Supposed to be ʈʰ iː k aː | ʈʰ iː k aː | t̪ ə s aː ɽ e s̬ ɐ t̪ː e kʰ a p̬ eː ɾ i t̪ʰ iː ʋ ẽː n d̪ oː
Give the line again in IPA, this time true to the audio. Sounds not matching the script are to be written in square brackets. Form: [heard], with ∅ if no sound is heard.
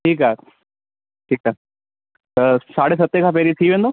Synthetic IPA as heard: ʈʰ iː k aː | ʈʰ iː k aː | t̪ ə s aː ɽ e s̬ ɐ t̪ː e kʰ a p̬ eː ɾ i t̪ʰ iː ʋ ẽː n d̪ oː